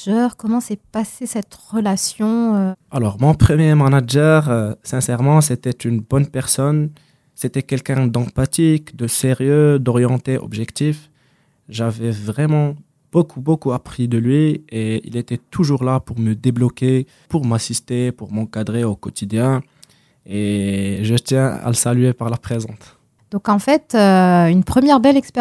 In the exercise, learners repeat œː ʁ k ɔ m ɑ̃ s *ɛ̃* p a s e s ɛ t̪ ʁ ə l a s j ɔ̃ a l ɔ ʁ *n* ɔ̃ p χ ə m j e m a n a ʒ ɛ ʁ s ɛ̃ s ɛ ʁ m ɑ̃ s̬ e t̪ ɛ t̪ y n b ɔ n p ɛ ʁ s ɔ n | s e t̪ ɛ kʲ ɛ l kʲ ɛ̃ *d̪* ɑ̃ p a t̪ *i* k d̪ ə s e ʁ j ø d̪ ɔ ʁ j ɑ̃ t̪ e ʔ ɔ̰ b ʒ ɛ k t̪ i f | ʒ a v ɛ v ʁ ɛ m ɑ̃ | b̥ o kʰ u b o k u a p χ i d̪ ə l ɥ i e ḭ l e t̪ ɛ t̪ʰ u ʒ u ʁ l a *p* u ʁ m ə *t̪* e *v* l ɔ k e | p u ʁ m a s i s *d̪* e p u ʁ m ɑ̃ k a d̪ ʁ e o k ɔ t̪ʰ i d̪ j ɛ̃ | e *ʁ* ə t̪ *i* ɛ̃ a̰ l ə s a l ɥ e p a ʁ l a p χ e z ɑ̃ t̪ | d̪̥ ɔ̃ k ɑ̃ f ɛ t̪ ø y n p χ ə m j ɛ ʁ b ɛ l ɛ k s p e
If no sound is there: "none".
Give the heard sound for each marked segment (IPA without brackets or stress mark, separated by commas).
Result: ɛ, m, d̪, i, p, d̪, b, t̪, ʒ, j